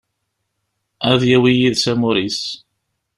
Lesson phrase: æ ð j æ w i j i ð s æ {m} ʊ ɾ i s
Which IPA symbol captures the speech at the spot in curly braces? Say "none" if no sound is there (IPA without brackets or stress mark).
m